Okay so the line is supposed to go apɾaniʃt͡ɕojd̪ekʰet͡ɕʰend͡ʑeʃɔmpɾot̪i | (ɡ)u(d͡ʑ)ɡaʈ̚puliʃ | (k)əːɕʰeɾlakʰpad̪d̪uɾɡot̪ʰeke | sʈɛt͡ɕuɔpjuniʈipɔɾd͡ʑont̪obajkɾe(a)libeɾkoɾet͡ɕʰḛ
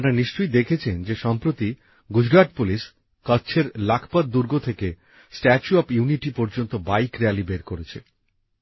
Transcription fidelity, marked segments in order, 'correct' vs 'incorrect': correct, correct, correct, correct

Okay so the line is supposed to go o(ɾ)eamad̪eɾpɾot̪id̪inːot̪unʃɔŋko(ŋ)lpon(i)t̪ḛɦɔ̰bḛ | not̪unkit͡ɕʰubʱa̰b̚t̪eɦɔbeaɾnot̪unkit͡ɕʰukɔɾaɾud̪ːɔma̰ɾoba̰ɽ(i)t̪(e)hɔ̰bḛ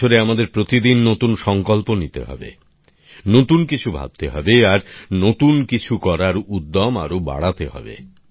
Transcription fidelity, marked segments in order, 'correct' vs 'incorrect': correct, incorrect, correct, incorrect, correct

